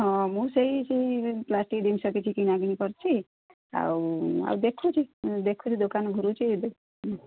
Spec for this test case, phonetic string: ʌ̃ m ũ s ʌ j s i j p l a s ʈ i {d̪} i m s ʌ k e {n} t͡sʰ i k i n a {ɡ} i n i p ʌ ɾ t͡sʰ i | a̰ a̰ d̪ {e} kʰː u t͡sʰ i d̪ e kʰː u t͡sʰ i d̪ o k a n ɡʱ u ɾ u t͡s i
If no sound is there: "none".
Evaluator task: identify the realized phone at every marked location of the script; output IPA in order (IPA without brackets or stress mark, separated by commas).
d̪, none, ɡ, e